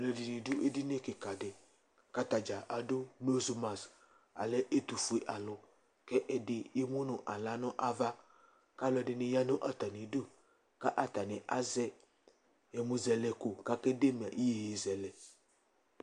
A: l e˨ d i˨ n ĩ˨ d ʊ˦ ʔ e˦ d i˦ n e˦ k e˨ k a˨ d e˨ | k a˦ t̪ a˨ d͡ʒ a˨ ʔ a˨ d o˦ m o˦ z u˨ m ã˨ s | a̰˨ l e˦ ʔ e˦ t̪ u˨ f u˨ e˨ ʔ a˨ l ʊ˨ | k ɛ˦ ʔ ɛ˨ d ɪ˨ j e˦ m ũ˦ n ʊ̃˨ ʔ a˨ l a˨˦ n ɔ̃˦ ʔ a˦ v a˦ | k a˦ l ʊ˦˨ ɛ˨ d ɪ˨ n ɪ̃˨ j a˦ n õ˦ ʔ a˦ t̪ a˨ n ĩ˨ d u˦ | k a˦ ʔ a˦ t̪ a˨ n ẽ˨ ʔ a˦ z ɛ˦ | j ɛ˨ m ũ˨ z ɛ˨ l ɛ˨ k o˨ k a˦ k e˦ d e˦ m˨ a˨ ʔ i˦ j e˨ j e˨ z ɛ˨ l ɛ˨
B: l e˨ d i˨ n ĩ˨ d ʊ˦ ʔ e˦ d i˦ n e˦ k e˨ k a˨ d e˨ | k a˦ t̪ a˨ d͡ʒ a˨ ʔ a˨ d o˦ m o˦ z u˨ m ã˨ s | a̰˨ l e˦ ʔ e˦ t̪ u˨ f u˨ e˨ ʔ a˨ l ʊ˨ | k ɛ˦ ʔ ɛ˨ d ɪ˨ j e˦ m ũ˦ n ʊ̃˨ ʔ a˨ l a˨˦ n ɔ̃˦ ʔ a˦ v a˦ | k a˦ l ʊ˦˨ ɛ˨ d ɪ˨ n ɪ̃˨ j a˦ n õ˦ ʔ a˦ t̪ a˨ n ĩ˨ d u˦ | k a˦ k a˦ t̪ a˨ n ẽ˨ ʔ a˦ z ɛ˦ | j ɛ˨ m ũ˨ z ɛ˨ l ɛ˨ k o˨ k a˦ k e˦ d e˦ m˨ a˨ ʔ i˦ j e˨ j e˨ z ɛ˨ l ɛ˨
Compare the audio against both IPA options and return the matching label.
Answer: A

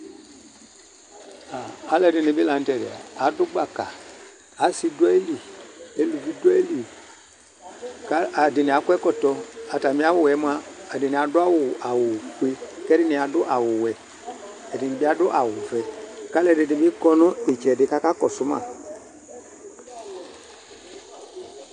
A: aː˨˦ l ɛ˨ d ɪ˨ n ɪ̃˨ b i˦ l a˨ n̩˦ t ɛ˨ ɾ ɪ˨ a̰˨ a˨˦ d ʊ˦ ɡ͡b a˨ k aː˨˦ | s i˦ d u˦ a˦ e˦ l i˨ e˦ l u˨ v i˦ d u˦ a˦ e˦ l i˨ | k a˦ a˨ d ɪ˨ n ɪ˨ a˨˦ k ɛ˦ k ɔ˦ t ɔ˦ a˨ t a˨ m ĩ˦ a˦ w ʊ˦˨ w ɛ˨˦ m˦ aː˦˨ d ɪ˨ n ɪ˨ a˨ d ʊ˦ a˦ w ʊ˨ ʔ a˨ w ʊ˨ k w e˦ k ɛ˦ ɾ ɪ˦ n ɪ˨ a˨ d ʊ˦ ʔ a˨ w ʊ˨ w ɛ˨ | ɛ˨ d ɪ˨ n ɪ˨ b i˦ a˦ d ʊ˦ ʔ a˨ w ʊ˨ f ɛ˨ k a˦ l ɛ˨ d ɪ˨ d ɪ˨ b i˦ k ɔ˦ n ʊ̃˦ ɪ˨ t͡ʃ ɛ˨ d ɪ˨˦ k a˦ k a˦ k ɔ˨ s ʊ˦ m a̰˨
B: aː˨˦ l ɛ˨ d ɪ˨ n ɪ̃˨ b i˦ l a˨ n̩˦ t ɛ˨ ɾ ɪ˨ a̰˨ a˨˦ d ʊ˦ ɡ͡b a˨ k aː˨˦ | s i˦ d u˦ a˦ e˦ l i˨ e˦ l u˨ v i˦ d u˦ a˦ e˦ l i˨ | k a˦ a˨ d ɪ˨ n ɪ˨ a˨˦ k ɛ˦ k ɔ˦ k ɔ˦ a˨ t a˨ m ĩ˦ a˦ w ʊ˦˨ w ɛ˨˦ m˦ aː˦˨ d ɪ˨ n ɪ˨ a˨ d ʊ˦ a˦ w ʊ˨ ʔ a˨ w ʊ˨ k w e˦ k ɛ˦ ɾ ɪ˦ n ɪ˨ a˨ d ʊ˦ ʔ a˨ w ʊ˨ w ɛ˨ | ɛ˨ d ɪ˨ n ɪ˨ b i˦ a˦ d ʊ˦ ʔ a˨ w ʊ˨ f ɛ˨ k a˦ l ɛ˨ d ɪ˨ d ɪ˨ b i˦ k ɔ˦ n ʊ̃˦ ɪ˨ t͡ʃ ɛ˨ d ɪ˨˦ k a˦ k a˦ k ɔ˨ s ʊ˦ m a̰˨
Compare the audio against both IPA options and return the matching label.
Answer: A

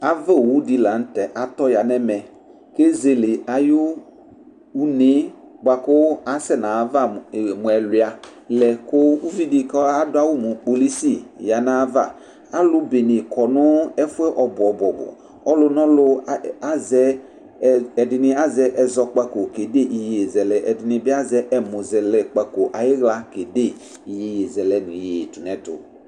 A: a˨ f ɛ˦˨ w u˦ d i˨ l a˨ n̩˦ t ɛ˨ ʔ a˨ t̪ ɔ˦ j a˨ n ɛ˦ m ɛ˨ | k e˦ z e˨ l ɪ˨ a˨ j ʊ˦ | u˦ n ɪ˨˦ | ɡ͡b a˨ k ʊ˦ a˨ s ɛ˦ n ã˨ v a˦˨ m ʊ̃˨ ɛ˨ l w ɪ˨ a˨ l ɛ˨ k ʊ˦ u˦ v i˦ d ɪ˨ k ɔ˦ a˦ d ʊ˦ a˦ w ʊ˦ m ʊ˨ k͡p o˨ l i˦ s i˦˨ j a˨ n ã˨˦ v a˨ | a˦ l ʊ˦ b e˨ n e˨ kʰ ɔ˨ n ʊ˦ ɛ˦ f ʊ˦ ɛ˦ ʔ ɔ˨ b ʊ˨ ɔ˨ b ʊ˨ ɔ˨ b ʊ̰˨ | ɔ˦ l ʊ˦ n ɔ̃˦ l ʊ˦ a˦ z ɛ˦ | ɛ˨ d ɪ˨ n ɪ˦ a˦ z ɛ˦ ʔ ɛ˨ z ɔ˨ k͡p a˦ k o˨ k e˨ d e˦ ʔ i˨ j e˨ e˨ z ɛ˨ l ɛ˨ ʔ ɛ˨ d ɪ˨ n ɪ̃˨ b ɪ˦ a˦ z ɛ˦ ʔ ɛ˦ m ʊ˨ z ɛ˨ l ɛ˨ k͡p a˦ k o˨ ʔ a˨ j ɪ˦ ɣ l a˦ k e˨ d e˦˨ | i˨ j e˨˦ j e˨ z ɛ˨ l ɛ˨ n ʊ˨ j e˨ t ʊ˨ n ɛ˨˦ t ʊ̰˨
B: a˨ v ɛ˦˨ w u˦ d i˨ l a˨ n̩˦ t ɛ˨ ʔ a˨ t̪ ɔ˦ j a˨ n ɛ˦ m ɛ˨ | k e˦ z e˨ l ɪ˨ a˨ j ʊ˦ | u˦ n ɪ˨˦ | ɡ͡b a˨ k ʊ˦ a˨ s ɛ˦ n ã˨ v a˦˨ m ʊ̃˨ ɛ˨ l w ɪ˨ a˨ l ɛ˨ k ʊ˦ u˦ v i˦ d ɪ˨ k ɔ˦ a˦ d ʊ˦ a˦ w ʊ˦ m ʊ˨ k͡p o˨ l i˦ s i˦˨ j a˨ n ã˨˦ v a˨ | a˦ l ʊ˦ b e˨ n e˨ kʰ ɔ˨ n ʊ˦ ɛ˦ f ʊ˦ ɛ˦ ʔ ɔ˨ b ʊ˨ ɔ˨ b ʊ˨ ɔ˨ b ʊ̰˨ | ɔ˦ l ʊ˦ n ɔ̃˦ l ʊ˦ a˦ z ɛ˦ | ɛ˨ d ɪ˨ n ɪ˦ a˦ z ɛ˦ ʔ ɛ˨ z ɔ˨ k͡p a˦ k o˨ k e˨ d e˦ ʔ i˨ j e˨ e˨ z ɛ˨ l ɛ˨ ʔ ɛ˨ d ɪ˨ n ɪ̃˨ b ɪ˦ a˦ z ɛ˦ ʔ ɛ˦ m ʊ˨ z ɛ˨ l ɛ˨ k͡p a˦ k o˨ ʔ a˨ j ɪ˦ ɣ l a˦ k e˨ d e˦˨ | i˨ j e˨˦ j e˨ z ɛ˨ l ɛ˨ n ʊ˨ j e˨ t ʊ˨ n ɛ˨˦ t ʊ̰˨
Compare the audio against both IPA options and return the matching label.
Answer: B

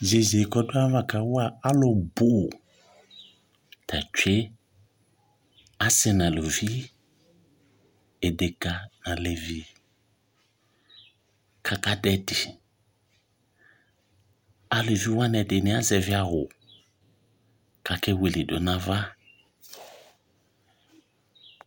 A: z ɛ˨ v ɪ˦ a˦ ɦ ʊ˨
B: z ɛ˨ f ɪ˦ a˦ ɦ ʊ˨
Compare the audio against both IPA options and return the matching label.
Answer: A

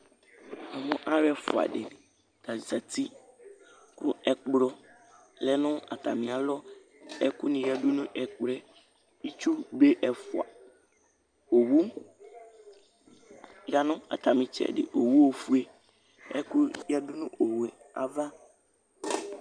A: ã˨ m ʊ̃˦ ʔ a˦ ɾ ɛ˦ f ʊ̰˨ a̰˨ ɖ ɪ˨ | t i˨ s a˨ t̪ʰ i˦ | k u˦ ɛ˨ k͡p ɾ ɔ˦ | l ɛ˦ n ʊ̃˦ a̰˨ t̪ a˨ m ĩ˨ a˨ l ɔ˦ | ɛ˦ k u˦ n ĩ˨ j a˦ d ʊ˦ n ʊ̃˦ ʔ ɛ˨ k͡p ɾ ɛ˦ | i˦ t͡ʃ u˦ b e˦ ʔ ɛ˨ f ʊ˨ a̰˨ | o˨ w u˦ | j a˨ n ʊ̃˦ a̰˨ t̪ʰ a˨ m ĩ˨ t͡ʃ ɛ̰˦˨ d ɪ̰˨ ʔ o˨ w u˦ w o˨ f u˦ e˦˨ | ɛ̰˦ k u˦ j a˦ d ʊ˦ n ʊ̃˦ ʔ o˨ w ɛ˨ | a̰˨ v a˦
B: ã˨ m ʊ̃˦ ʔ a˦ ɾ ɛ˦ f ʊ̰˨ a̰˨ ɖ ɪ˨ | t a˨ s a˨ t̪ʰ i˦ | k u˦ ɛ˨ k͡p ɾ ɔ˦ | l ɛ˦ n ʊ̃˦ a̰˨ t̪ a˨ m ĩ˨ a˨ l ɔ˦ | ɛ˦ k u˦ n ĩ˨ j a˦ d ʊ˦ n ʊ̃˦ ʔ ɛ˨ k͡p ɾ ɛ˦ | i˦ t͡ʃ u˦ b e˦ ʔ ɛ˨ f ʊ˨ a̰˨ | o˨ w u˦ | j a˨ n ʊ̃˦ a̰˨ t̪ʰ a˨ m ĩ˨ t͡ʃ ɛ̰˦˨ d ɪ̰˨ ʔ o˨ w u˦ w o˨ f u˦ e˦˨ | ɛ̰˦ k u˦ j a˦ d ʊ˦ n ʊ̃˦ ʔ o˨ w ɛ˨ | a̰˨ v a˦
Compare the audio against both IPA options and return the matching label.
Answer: B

